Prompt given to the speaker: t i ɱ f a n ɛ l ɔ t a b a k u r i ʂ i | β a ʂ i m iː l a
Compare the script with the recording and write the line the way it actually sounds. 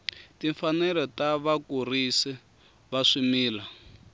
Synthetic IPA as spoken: t i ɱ f a n ɛ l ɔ t a β a k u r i s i | β a ʂ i m iː l a